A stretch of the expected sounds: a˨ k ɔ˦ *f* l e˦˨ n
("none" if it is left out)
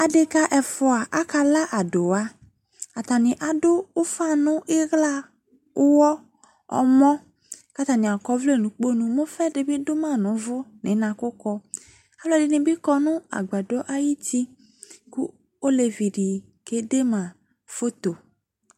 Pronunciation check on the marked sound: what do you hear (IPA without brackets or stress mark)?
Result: v